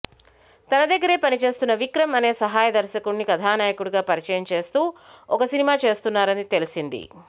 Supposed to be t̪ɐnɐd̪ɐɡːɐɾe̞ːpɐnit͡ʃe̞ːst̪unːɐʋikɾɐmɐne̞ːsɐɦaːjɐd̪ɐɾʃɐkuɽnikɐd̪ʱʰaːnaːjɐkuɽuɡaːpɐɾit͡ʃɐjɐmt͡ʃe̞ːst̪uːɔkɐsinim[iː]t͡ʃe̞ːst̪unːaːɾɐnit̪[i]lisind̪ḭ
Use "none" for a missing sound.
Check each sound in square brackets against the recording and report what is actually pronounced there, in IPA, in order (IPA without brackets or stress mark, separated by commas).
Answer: aː, e